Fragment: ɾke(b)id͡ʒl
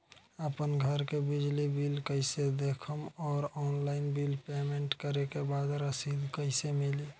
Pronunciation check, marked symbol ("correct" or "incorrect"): correct